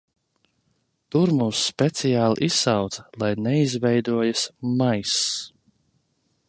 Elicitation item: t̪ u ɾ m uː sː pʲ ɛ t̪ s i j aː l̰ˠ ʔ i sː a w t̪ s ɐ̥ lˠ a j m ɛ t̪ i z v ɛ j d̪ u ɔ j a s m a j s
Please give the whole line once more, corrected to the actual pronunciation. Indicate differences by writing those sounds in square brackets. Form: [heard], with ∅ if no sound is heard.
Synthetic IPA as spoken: t̪ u ɾ m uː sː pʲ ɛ t̪ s i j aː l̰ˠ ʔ i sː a w t̪ s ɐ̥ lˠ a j [n] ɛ [∅] i z v ɛ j d̪ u ɔ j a s m a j s